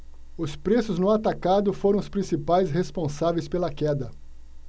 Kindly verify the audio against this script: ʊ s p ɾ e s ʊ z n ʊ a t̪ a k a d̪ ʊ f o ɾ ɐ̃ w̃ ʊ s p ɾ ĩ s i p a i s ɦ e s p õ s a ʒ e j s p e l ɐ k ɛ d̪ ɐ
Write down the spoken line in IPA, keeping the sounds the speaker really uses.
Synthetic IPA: ʊ s p ɾ e s ʊ z n ʊ a t̪ a k a d̪ ʊ f o ɾ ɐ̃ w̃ ʊ s p ɾ ĩ s i p a j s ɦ e s p õ s a v e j s p e l ɐ k ɛ d̪ ɐ